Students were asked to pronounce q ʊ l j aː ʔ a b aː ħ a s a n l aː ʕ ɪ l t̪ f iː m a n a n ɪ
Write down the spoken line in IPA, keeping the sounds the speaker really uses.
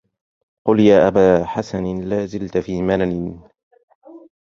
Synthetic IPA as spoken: q ʊ l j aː ʔ a b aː ħ a s a n l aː z ɪ l t̪ f iː m a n a n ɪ